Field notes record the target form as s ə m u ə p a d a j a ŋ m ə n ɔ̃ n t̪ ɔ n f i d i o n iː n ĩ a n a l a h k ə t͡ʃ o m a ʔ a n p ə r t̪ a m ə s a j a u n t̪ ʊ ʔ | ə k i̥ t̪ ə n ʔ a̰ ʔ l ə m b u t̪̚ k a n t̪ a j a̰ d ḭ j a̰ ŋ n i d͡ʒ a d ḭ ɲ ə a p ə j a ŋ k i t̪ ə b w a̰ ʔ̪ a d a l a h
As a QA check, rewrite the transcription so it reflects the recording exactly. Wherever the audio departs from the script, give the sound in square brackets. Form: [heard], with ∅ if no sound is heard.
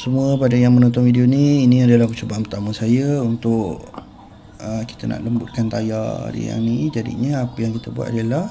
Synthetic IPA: s ə m u ə p a d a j a ŋ m ə n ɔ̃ n t̪ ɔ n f i d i o n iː n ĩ a [d] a l a h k ə t͡ʃ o [b] a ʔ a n p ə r t̪ a m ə s a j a u n t̪ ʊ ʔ | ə k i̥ t̪ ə n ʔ a̰ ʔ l ə m b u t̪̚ k a n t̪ a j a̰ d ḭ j a̰ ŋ n i d͡ʒ a d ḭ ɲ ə a p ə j a ŋ k i t̪ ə b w a̰ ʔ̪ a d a l a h